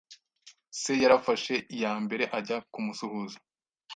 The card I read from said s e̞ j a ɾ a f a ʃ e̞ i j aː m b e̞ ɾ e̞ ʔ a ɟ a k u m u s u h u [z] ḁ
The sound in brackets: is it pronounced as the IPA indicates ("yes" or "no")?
yes